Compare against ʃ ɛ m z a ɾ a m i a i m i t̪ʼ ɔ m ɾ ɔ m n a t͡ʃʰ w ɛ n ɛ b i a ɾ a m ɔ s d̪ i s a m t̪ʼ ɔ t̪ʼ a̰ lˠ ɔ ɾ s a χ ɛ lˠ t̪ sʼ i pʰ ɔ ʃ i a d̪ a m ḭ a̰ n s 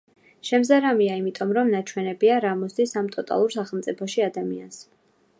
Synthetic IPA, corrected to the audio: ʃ ɛ m z a ɾ a m i a i m i t̪ʼ ɔ m ɾ ɔ m n a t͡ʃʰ w ɛ n ɛ b i a ɾ a m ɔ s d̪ i s a m t̪ʼ ɔ t̪ʼ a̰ lˠ u ɾ s a χ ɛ lˠ t̪ sʼ i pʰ ɔ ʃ i a d̪ a m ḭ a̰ n s